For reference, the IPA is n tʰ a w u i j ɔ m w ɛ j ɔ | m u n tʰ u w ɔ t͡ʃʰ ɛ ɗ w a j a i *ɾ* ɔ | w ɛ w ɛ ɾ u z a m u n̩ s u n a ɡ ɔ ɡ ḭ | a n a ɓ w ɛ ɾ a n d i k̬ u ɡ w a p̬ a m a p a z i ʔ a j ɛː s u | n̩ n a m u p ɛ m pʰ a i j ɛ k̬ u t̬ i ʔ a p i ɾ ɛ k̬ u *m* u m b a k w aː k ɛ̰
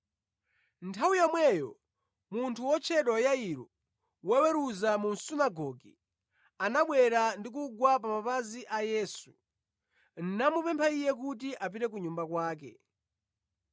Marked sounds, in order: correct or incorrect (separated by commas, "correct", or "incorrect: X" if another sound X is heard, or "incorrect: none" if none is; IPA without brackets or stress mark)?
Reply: correct, incorrect: ɲ